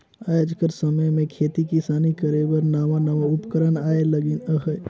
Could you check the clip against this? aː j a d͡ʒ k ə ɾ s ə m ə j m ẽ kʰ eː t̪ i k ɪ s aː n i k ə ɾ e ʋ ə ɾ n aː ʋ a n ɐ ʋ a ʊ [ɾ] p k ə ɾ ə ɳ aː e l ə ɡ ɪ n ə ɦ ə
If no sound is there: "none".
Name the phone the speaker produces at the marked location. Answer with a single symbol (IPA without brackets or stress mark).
none